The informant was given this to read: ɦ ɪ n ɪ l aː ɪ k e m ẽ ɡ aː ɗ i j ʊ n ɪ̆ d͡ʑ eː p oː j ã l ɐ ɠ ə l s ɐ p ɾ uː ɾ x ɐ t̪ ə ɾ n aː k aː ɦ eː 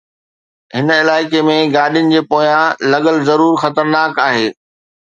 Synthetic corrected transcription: ɦ ɪ n ɪ l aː ɪ k e m ẽ ɡ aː ɗ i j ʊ n ɪ̆ d͡ʑ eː p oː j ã l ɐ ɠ ə l z ɐ ɾ uː ɾ x ɐ t̪ ə ɾ n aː k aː ɦ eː